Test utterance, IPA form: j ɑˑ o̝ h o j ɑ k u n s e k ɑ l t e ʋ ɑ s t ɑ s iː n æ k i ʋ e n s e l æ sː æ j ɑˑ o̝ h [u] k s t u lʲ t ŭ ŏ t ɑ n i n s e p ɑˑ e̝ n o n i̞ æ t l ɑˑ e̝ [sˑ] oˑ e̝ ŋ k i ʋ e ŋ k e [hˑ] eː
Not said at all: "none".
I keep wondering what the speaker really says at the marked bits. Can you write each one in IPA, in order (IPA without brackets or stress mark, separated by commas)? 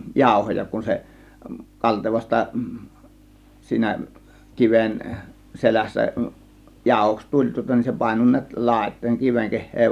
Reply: o, tˑ, hˑ